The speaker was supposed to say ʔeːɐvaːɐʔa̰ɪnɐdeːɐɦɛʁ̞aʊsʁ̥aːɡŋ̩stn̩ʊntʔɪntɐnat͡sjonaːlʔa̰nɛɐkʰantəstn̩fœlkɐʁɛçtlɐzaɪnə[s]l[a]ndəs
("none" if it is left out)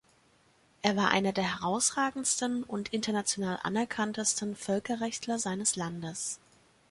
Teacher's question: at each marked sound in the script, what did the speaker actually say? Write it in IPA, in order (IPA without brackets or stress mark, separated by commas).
s, a